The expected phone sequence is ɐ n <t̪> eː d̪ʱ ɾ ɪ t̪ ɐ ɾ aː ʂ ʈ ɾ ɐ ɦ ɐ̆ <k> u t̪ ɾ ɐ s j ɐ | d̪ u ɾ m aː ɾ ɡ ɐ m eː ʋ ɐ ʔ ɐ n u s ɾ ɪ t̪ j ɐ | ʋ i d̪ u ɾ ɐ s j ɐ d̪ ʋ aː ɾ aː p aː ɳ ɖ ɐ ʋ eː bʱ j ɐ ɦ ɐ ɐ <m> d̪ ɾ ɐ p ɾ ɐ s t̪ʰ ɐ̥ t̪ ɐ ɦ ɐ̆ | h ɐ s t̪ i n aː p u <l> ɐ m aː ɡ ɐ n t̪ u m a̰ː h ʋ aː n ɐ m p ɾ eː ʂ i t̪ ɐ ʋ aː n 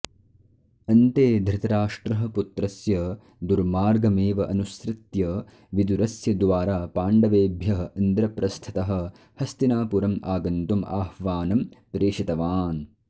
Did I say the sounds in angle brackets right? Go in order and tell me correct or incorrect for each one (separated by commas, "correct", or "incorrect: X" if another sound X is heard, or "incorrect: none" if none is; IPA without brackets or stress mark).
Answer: correct, incorrect: p, incorrect: n, incorrect: ɾ